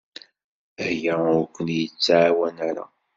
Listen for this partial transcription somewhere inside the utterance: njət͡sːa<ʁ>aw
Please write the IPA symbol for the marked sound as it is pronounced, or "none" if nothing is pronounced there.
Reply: ʕ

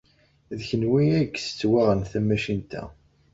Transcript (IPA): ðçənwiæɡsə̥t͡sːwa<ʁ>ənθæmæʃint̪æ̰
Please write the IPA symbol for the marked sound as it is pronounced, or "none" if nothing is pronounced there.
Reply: ʁ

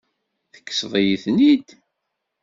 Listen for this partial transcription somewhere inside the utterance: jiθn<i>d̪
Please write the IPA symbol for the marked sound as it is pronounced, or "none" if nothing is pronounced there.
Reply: i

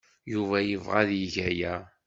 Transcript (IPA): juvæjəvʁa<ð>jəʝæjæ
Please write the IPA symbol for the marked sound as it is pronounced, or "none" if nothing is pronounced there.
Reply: ð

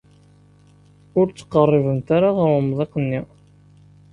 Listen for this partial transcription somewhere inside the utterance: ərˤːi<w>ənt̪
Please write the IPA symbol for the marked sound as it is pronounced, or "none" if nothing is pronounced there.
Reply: v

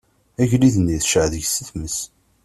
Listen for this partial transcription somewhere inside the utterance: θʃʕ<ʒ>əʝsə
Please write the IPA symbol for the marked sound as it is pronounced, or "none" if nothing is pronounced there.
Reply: ð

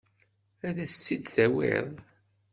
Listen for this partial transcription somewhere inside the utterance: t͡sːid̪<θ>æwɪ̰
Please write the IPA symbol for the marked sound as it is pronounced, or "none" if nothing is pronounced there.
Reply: θ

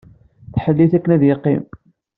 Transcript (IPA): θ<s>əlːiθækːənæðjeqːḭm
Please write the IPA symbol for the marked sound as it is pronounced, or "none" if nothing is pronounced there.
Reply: ħ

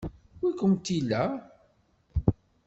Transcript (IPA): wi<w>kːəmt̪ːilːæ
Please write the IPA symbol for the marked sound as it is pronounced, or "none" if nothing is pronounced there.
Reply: none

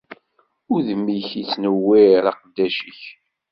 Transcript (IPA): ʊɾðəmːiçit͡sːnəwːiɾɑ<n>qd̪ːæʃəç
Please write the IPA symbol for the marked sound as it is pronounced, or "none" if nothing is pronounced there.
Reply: none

